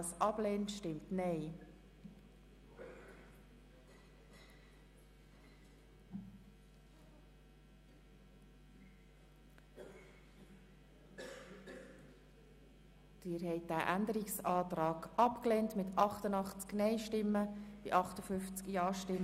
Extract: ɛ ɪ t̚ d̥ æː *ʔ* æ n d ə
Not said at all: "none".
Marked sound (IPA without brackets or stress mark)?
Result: ʔ